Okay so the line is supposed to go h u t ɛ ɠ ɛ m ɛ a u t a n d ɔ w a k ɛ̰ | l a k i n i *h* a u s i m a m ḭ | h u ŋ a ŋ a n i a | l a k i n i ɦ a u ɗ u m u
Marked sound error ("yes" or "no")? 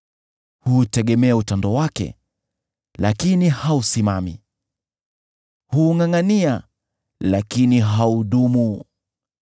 no